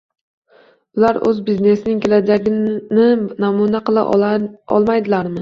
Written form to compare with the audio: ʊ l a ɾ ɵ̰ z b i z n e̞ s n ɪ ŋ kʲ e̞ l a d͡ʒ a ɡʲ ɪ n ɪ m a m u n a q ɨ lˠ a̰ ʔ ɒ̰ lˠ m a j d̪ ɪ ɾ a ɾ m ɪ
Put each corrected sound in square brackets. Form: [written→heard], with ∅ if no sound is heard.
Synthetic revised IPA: ʊ l a ɾ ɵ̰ z b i z n e̞ s n ɪ ŋ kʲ e̞ l a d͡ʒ a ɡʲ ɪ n ɪ [m→n] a m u n a q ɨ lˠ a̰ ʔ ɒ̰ lˠ m a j d̪ ɪ [ɾ→l] a ɾ m ɪ